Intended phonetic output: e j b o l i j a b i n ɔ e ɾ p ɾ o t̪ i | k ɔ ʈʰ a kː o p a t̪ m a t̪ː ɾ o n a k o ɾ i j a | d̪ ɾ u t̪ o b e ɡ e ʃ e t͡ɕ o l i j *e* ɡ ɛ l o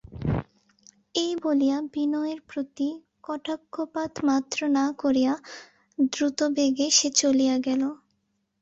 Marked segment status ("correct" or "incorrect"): incorrect